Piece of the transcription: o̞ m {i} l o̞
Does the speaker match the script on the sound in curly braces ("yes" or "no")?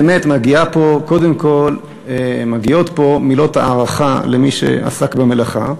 yes